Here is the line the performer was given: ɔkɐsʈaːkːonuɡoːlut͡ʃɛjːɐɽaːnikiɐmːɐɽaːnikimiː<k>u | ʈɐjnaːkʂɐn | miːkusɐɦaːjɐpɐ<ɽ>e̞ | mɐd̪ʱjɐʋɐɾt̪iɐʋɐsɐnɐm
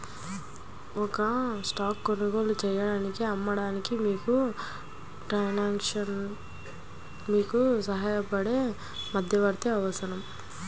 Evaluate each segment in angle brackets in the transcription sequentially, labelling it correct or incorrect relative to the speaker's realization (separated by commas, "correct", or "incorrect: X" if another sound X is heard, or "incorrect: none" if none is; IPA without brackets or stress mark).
correct, correct